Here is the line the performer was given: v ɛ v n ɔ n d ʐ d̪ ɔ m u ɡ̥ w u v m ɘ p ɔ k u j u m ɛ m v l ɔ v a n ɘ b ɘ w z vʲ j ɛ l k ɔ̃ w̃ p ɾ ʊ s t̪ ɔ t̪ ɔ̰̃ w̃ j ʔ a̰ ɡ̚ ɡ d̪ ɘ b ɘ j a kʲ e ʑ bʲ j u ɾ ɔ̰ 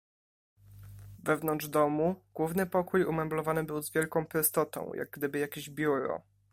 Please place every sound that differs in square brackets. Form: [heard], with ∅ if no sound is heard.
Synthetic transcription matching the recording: v ɛ v n ɔ n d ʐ d̪ ɔ m u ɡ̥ w u v [n] ɘ p ɔ k u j u m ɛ m [b] l ɔ v a n ɘ b ɘ w z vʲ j ɛ l k ɔ̃ w̃ p ɾ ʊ s t̪ ɔ t̪ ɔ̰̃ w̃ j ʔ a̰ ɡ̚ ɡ d̪ ɘ b ɘ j a kʲ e ʑ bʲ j u ɾ ɔ̰